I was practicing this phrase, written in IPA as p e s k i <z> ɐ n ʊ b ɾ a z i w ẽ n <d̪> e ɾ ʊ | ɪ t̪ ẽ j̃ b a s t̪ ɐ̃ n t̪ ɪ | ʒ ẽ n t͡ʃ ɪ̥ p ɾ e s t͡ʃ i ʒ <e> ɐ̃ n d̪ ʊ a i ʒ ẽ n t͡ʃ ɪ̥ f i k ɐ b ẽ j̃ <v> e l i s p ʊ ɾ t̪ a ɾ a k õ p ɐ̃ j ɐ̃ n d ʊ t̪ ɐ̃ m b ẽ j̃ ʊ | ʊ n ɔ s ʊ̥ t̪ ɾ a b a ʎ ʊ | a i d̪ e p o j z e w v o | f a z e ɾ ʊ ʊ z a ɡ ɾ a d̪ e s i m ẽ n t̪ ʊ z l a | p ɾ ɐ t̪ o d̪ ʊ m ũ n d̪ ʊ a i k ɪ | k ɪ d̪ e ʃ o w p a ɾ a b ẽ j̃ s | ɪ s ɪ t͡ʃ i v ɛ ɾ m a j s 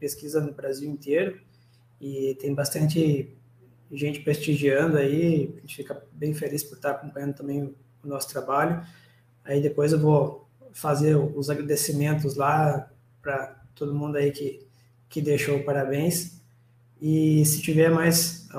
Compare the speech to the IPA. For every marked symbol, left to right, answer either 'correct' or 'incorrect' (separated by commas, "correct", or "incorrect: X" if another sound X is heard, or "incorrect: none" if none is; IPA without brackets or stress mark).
correct, incorrect: t̪, incorrect: i, incorrect: f